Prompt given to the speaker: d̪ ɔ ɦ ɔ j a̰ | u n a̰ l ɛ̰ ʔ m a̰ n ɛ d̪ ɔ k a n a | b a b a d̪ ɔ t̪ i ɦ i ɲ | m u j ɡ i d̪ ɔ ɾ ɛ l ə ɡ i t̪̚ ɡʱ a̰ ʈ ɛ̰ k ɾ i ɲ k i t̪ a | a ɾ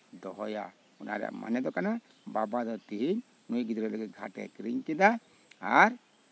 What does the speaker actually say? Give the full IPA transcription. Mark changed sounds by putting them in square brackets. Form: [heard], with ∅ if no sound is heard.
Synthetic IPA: d̪ ɔ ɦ ɔ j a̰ | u n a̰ [ɾ] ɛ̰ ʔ m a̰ n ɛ d̪ ɔ k a n a | b a b a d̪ ɔ t̪ i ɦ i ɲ | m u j ɡ i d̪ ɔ ɾ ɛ l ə ɡ i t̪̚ ɡʱ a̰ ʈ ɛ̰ k ɾ i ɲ k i [d̪] a | a ɾ

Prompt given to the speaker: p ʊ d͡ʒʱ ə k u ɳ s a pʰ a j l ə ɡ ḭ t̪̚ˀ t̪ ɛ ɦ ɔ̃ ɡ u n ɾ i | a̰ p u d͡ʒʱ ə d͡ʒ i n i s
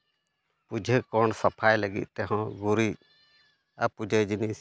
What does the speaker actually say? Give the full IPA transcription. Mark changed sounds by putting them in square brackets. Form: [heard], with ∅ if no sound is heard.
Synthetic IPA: p [u] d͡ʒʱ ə k [ɔ] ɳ s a pʰ a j l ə ɡ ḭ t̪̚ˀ t̪ ɛ ɦ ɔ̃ ɡ u [∅] ɾ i | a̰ p u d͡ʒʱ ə d͡ʒ i n i s

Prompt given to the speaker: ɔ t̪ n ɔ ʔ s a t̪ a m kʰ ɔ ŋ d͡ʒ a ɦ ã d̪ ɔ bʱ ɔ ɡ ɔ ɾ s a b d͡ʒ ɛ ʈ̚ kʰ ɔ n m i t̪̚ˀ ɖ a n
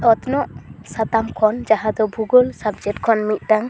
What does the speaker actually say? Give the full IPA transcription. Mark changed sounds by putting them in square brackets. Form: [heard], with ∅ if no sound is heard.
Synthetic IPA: ɔ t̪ n ɔ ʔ s a t̪ a m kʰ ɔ [n] d͡ʒ a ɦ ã d̪ ɔ bʱ [u] ɡ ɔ [l] s a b d͡ʒ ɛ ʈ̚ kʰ ɔ n m i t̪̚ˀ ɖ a [ŋ]

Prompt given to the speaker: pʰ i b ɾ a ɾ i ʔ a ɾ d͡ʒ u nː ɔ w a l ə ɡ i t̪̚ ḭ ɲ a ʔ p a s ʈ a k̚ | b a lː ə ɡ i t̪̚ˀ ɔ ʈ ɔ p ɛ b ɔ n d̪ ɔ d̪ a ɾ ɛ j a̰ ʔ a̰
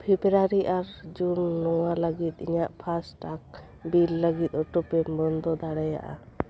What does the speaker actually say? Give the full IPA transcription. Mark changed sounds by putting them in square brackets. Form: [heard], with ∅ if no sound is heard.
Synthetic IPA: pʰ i b ɾ a ɾ i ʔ a ɾ d͡ʒ u nː ɔ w a l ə ɡ i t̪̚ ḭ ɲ a ʔ [pʰ] a s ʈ a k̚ | b [i] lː ə ɡ i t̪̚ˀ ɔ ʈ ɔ p ɛ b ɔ n d̪ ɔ d̪ a [ɽ] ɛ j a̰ ʔ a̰

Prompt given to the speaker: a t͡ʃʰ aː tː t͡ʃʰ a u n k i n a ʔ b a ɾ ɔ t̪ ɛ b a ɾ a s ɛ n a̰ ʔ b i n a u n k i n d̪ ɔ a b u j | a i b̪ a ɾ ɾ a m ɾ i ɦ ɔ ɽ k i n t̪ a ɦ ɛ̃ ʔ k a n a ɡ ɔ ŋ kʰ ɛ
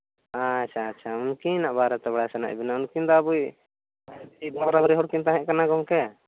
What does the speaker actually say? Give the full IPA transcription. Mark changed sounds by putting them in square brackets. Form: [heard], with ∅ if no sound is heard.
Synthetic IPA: a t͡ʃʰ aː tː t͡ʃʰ a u n k i n a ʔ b a ɾ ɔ t̪ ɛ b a [ɽ] a s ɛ n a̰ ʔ b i n a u n k i n d̪ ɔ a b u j | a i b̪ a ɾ ɾ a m ɾ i ɦ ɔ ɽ k i n t̪ a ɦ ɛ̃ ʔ k a n a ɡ ɔ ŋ [k] ɛ

